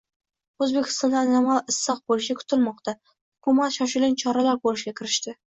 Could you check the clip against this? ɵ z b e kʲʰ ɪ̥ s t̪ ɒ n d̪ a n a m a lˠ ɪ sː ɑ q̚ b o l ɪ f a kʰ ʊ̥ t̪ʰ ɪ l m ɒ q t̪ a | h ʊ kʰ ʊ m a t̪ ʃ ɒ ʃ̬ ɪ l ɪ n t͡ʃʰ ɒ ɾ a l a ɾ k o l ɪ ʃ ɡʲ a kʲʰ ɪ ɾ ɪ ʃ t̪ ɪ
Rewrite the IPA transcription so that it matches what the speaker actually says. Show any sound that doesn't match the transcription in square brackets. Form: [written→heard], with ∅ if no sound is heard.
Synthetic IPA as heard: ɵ z b e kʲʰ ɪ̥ s t̪ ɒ n d̪ a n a m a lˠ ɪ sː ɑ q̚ b o l ɪ [f→ʃ] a kʰ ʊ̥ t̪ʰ ɪ l m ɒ q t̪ a | h ʊ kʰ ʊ m a t̪ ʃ ɒ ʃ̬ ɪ l ɪ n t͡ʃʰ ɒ ɾ a l a ɾ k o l ɪ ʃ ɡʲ a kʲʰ ɪ ɾ ɪ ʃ t̪ ɪ